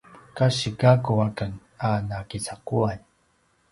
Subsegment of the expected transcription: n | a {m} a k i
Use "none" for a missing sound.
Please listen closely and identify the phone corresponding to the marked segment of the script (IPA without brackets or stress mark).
n